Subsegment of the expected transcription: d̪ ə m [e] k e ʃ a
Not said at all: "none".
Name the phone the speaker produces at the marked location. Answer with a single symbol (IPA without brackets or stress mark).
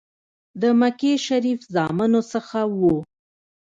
a